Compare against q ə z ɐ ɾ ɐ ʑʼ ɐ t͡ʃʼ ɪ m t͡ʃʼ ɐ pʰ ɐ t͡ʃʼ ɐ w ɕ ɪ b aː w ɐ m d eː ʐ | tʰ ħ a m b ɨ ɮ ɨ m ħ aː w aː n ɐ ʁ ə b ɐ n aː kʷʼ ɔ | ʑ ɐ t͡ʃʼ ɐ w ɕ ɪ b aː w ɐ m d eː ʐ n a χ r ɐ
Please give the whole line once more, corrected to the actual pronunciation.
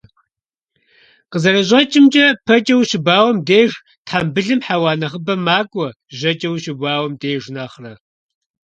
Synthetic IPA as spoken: q ə z ɐ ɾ ɐ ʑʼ ɐ t͡ʃʼ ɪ m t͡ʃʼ ɐ pʰ ɐ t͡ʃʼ ɐ w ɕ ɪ b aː w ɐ m d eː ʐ | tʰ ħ a m b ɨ ɮ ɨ m ħ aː w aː n ɐ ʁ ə b ɐ m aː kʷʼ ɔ | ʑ ɐ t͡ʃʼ ɐ w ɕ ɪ b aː w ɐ m d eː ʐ n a χ r ɐ

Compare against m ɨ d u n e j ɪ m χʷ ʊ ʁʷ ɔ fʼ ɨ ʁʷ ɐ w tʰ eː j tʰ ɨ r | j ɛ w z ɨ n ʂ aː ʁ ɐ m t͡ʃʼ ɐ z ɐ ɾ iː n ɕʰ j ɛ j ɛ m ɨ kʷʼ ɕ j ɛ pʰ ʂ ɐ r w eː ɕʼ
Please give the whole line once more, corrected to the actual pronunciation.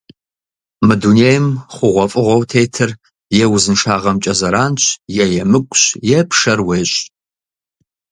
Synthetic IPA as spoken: m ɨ d u n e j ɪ m χʷ ʊ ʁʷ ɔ fʼ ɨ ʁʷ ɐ w tʰ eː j tʰ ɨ r | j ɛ w z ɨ n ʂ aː ʁ ɐ m t͡ʃʼ ɐ z ɐ ɾ aː n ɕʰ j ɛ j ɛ m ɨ kʷʼ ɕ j ɛ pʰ ʂ ɐ r w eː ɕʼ

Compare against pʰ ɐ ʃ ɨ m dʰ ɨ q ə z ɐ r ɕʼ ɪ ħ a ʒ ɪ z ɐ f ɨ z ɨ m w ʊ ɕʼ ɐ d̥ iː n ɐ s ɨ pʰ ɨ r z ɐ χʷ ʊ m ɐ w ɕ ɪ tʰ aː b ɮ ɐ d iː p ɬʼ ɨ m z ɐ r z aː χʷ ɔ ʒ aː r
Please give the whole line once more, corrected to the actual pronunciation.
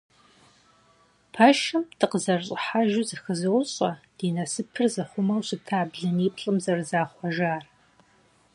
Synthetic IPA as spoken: pʰ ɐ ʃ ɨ m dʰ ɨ q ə z ɐ r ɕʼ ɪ ħ a ʒ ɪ z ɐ x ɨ z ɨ w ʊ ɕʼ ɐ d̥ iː n ɐ s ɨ pʰ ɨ r z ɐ χʷ ʊ m ɐ w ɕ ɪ tʰ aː b ɮ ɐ n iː p ɬʼ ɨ m z ɐ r z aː χʷ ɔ ʒ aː r

